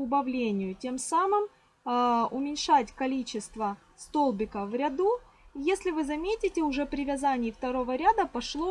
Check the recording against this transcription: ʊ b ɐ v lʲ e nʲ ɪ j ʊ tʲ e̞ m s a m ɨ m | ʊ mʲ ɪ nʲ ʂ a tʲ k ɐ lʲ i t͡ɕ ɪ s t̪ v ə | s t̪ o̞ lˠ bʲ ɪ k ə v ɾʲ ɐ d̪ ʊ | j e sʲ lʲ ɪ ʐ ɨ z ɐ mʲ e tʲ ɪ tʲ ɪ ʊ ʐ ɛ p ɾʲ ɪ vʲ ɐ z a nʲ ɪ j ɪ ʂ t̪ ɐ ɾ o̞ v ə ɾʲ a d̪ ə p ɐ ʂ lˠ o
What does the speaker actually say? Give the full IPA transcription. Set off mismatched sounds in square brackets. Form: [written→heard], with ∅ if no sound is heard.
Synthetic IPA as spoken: ʊ b ɐ v lʲ e nʲ ɪ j ʊ tʲ e̞ m s a m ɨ m | ʊ mʲ ɪ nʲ ʂ a tʲ k ɐ lʲ i t͡ɕ ɪ s t̪ v ə | s t̪ o̞ lˠ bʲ ɪ k ə v ɾʲ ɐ d̪ [ʊ→u] | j e sʲ lʲ ɪ [ʐ→v] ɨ z ɐ mʲ e tʲ ɪ tʲ ɪ ʊ ʐ ɛ p ɾʲ ɪ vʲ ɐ z a nʲ ɪ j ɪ [ʂ→f] t̪ ɐ ɾ o̞ v ə ɾʲ a d̪ ə p ɐ ʂ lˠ o